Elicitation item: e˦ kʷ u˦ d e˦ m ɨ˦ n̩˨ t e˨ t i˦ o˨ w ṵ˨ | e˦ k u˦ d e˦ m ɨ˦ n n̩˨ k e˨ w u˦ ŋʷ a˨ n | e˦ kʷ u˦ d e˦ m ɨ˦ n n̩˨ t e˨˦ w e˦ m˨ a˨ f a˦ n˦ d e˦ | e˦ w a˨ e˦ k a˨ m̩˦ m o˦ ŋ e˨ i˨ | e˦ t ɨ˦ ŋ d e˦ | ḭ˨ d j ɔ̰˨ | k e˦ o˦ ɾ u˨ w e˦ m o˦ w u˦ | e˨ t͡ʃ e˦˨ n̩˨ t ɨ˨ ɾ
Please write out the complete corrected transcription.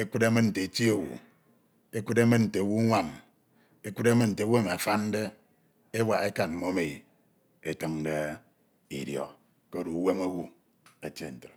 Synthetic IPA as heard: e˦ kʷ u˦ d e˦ m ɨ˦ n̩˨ t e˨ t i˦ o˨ w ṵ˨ | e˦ k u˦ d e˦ m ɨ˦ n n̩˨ t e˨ w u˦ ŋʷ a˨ n | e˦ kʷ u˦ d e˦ m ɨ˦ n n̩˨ t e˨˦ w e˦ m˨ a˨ f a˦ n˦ d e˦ | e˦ w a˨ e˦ k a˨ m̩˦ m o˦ m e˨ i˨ | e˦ t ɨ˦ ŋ d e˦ | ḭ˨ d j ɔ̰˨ | k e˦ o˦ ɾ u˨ w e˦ m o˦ w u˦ | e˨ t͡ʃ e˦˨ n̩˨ t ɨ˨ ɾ